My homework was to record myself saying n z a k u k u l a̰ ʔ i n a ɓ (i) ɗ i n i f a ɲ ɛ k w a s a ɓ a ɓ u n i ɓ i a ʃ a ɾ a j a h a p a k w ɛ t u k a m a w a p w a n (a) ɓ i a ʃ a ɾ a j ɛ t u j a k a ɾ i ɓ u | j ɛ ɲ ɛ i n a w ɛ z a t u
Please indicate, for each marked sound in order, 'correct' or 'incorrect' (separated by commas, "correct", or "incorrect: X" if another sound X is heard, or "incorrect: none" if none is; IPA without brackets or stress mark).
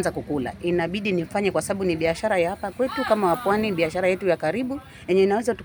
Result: correct, incorrect: i